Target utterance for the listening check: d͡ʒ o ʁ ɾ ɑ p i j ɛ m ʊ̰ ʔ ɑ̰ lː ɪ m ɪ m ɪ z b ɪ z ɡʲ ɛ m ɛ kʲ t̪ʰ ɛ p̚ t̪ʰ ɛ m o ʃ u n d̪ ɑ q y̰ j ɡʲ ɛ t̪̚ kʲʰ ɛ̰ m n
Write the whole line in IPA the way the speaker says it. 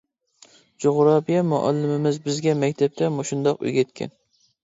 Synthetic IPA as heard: d͡ʒ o ʁ ɾ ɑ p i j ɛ m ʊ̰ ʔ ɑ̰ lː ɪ m ɪ m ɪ z b ɪ z ɡʲ ɛ m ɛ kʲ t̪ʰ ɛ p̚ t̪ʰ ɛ m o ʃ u n d̪ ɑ q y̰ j ɡʲ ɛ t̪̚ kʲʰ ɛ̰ n